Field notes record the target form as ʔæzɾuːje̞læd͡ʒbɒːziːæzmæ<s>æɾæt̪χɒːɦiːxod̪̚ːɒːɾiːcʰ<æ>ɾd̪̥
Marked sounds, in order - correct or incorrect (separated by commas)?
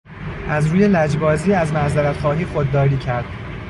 incorrect, correct